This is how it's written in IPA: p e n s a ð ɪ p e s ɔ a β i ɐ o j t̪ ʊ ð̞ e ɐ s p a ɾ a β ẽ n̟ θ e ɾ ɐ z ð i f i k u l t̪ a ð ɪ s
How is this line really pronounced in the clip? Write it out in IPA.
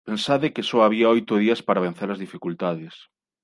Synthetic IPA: p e n s a ð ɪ k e s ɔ a β i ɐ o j t̪ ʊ ð̞ i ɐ s p a ɾ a β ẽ n̟ θ e ɾ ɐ z ð i f i k u l t̪ a ð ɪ s